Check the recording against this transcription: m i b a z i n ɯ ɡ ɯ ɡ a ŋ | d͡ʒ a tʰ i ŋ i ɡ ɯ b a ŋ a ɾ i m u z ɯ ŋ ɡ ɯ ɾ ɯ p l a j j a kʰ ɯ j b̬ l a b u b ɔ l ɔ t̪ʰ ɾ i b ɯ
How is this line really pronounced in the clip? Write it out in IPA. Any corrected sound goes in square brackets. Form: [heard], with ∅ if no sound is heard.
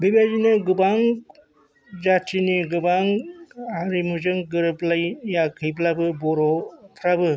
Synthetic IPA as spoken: [b] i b a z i n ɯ ɡ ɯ [b] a ŋ | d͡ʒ a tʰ i [n] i ɡ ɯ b a ŋ a ɾ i m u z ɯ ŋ ɡ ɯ ɾ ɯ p l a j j a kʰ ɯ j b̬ l a b [ɯ] b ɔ [ɾ] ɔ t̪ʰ ɾ [a] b ɯ